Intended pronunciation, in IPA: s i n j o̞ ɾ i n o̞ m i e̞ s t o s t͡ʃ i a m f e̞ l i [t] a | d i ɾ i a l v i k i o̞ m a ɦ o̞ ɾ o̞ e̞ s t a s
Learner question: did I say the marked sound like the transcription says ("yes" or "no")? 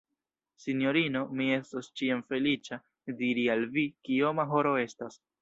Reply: no